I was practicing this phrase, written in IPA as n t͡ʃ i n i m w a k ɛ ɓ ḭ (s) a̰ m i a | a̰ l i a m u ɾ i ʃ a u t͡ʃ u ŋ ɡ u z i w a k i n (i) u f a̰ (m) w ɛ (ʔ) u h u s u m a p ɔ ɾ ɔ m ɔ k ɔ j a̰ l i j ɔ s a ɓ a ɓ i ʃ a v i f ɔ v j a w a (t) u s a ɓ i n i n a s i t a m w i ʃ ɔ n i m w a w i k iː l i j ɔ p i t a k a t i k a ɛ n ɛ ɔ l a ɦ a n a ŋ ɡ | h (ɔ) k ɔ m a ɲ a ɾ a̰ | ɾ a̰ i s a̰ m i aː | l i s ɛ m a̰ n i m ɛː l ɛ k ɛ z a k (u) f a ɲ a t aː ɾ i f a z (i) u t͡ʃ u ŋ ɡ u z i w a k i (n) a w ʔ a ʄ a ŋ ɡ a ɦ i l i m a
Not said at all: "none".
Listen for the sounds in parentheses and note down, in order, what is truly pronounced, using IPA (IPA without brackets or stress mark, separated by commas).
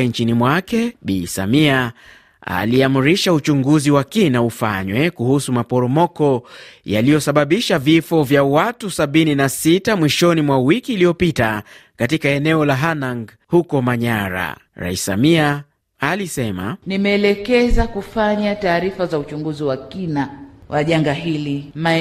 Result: s, a, ɲ, k, t, u, u, a, n